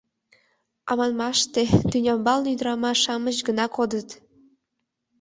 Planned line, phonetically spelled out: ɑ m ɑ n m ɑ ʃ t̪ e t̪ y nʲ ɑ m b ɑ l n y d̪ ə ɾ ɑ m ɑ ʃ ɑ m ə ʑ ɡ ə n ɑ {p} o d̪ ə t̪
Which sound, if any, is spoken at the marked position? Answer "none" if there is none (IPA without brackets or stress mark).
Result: k